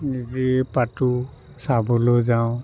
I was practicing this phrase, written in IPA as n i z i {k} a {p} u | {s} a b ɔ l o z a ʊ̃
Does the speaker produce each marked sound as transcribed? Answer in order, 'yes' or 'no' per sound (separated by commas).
no, no, yes